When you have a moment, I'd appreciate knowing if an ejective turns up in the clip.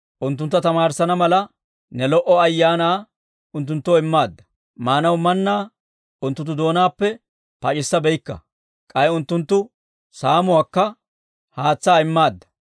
yes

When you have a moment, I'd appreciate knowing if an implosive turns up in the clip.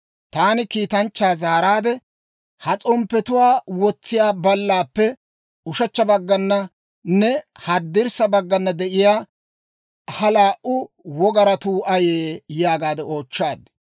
no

